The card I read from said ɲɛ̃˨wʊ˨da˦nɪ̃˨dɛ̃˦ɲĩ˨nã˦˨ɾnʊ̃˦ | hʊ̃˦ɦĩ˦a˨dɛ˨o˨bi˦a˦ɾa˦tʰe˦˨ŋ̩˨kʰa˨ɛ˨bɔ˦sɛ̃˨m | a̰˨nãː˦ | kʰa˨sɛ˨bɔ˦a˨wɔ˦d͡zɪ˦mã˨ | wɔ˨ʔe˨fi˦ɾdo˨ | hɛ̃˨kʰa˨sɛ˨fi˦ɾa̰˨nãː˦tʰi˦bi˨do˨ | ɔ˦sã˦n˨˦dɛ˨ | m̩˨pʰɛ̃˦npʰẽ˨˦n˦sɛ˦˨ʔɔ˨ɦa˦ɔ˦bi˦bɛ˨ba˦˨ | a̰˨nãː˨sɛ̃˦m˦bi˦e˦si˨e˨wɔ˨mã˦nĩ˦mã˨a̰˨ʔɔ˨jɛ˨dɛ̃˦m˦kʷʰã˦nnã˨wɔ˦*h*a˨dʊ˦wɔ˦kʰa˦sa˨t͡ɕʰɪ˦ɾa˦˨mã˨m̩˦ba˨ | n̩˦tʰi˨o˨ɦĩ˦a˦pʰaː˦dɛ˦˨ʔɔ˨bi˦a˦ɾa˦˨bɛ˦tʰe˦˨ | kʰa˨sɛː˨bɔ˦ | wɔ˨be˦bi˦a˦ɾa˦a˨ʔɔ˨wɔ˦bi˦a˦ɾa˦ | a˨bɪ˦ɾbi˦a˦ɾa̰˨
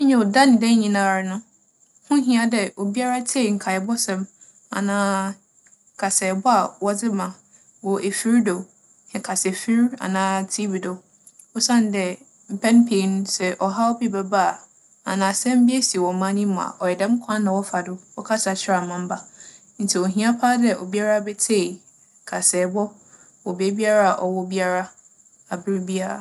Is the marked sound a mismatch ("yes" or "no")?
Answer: yes